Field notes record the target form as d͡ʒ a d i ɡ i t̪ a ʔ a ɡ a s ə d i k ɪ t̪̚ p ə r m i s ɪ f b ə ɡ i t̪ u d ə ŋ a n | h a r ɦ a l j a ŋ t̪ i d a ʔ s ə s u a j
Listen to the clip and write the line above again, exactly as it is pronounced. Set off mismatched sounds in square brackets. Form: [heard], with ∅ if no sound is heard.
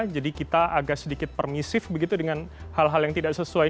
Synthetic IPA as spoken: d͡ʒ a d i [k] i t̪ a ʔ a ɡ a s ə d i k ɪ t̪̚ p ə r m i s ɪ f b ə ɡ i t̪ u d ə ŋ a n | h a [l] ɦ a l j a ŋ t̪ i d a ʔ s ə s u a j